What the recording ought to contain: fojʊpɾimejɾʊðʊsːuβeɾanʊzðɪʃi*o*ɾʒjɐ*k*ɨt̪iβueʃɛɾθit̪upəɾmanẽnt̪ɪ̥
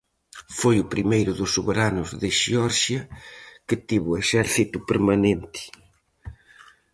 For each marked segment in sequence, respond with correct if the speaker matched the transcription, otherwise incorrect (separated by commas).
incorrect, correct